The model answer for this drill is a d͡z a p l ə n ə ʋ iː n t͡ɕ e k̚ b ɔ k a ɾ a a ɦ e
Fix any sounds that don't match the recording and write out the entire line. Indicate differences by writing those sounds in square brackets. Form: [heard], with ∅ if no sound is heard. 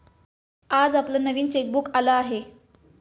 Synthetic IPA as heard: a d͡z a p l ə n ə ʋ iː n t͡ɕ e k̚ b [u] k a [l] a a ɦ e